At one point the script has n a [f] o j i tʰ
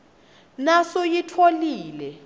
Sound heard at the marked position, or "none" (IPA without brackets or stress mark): s